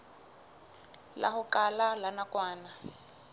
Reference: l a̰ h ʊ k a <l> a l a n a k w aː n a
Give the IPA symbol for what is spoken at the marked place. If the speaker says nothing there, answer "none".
l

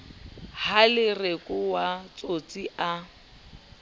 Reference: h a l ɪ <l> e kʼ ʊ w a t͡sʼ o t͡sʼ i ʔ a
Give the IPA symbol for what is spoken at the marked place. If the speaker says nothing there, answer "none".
r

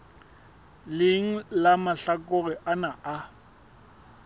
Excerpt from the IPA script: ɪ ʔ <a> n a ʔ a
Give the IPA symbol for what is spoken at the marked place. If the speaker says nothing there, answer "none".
a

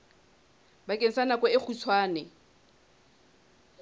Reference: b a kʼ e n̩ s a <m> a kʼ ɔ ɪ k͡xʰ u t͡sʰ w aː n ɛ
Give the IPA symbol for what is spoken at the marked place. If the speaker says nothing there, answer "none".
n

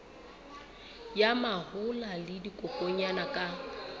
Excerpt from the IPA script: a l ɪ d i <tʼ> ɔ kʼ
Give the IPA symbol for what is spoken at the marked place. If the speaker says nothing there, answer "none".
kʼ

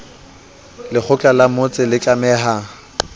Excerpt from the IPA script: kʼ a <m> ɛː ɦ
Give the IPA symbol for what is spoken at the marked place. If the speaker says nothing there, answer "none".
m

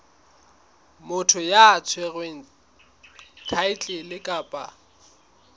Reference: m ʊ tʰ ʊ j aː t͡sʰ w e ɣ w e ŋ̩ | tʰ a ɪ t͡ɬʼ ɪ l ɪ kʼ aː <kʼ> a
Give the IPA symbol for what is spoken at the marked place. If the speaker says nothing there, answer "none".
pʼ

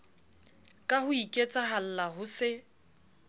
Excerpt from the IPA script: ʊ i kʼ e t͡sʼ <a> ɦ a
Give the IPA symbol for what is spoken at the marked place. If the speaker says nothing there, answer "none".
a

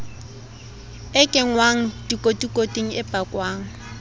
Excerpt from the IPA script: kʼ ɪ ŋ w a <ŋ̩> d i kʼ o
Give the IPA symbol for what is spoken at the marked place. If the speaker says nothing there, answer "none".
ŋ̩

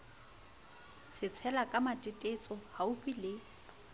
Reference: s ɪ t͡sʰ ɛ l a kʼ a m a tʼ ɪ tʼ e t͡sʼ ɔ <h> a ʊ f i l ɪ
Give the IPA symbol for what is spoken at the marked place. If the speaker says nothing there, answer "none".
h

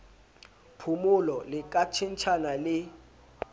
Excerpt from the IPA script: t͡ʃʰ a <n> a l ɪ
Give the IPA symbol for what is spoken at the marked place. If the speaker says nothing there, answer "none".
n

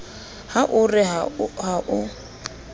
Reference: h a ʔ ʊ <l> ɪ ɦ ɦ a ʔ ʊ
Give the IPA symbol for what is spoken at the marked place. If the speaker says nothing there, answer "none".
r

